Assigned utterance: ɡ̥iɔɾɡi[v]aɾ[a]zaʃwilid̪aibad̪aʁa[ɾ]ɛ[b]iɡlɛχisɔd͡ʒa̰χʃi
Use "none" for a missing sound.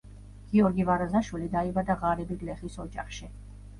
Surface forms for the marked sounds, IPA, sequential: v, a, ɾ, b

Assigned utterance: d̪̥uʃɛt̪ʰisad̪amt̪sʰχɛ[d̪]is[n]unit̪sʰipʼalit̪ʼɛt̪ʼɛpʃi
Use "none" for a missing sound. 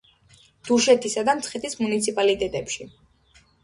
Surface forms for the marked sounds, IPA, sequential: t̪, m

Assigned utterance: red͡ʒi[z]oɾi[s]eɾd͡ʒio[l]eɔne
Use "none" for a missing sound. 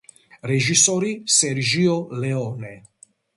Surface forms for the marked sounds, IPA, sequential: s, s, l

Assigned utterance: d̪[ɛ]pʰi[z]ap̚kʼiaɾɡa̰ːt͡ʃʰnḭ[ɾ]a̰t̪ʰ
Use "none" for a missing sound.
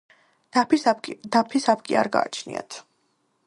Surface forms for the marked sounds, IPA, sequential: a, s, none

